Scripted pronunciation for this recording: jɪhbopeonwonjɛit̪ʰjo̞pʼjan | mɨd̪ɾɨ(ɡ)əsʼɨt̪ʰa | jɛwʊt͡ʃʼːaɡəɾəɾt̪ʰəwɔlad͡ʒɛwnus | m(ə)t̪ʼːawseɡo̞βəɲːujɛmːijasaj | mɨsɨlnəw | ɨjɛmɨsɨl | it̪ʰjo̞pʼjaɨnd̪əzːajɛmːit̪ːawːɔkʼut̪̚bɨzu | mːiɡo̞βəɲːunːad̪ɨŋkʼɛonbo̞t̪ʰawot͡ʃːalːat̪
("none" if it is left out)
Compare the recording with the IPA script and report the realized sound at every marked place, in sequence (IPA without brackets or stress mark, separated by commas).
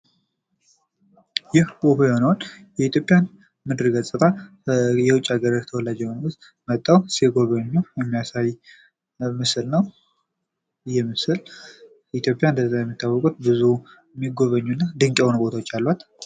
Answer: ɡ, ə